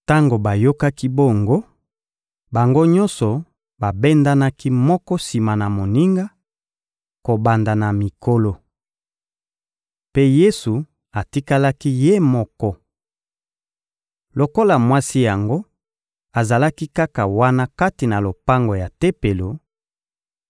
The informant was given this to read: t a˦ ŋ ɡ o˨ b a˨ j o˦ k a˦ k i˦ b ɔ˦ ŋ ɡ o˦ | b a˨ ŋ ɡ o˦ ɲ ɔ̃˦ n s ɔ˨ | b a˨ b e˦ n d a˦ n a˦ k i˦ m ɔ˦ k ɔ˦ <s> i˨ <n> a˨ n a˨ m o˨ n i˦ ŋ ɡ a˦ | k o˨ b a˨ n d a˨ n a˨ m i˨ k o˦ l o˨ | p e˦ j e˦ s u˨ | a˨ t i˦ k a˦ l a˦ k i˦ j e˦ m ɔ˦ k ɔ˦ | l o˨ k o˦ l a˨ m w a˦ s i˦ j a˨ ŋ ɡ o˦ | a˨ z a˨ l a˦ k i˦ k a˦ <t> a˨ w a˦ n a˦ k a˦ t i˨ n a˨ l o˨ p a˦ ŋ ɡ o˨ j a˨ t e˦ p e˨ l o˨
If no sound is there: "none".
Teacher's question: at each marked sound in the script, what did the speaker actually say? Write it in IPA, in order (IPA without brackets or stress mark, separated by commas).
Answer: s, m, k